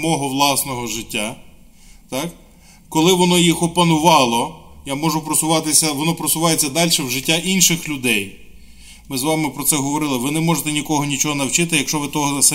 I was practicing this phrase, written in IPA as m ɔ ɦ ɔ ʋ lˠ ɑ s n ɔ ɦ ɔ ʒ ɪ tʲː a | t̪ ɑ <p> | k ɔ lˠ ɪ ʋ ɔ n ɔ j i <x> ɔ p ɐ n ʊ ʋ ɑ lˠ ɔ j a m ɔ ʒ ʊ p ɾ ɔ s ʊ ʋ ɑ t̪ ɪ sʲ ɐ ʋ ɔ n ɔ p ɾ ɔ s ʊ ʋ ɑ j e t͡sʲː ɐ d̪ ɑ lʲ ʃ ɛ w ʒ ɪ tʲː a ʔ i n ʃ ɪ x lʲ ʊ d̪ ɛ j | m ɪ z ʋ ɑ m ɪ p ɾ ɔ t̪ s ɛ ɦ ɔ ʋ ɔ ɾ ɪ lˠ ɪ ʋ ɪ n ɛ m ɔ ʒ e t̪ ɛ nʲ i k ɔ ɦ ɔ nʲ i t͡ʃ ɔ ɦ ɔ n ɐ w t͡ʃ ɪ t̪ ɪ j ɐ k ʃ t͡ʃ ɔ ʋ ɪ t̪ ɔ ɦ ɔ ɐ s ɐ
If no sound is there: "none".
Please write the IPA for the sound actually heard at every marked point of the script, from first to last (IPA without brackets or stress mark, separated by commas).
k, x